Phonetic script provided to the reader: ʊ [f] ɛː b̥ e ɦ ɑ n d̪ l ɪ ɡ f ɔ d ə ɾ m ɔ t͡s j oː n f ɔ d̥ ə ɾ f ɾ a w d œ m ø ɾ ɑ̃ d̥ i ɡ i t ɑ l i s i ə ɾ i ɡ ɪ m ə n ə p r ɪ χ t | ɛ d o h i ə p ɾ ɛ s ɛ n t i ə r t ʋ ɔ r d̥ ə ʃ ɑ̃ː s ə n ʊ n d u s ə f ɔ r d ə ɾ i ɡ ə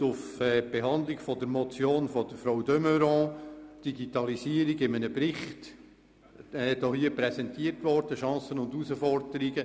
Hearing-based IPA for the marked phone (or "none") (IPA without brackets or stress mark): f